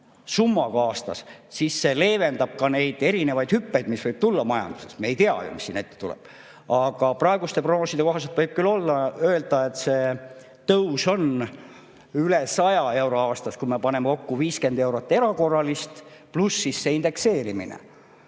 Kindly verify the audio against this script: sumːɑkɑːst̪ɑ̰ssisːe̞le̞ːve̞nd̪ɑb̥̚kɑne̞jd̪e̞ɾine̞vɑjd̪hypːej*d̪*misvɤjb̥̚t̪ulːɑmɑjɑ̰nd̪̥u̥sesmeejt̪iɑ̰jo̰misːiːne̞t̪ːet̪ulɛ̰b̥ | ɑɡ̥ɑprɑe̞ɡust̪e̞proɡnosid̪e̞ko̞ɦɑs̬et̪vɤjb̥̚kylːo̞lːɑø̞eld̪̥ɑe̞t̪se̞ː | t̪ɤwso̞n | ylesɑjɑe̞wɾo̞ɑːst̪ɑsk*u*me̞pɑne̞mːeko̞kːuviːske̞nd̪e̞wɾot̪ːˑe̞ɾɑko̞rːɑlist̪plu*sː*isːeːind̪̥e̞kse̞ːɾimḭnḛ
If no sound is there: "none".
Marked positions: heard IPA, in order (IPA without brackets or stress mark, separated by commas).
d̪, u, sː